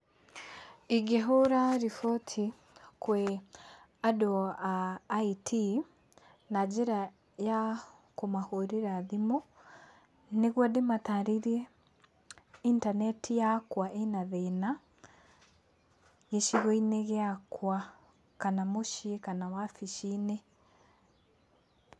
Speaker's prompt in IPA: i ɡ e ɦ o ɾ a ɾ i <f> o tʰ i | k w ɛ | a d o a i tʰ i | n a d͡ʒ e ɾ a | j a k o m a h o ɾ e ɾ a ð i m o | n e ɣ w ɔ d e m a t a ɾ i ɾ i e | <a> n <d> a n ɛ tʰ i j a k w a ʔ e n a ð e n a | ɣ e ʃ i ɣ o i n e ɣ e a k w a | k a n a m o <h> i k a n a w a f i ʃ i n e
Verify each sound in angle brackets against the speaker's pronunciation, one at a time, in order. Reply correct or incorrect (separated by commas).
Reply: correct, incorrect, incorrect, incorrect